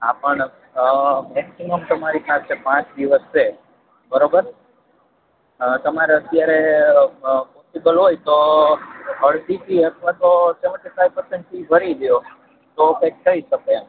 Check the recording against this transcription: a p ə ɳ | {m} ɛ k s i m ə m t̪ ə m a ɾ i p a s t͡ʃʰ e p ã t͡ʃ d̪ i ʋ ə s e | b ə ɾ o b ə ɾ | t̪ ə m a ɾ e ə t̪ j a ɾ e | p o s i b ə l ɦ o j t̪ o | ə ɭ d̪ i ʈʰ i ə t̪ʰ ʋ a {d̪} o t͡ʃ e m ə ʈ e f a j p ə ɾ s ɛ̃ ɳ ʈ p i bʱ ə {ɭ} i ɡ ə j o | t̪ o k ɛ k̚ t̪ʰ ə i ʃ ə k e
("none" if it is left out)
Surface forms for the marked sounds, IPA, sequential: m, t̪, ɾ

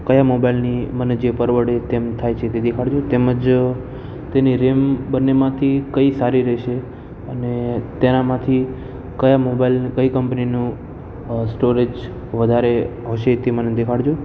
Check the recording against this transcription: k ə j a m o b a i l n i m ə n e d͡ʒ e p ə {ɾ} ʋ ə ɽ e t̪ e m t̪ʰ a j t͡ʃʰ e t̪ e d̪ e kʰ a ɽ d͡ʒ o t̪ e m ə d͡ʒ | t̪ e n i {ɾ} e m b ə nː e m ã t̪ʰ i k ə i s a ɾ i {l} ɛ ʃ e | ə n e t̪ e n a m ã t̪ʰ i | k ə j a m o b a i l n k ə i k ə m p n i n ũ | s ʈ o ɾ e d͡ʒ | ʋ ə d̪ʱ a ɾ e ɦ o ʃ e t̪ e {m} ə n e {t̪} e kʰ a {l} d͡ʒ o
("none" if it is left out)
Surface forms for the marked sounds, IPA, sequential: ɾ, ɾ, ɾ, m, d̪, ɽ

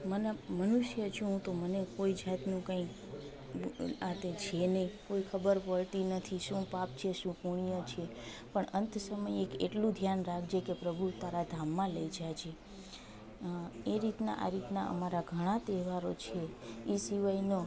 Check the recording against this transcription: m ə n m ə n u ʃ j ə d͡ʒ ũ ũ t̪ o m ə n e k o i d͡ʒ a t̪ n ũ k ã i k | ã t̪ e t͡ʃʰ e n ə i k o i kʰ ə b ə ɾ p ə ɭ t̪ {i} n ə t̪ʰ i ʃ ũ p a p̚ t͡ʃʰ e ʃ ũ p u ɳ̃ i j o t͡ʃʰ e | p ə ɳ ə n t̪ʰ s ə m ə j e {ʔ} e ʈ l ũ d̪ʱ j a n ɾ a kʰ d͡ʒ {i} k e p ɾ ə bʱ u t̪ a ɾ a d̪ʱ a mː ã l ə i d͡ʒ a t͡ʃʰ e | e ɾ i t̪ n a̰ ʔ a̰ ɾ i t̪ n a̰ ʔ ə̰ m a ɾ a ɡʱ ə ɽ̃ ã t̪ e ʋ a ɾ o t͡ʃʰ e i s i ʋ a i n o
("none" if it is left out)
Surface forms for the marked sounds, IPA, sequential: i, k, e

